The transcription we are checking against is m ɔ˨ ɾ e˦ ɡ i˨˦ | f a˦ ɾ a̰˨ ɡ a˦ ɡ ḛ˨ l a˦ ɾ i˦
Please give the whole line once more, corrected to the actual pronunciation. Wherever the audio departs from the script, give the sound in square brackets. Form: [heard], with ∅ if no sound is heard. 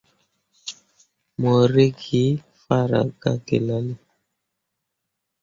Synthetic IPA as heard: m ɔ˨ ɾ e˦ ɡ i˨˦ | f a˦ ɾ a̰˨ ɡ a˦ ɡ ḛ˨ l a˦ [l] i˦